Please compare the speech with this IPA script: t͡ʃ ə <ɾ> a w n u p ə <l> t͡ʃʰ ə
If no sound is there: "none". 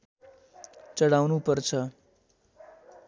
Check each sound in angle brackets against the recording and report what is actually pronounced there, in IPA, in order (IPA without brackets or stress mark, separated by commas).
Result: ɽ, ɾ